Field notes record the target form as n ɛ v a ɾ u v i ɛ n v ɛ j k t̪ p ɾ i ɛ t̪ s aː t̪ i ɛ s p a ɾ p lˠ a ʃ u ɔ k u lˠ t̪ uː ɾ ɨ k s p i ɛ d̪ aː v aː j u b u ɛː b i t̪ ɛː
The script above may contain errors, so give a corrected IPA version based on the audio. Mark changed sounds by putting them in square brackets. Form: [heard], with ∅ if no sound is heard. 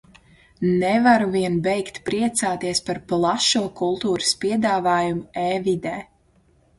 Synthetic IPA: n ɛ v a ɾ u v i ɛ n [b] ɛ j k t̪ p ɾ i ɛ t̪ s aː t̪ i ɛ s p a ɾ p lˠ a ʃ u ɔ k u lˠ t̪ uː ɾ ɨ [∅] s p i ɛ d̪ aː v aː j u [m] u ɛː [v] i [d̪] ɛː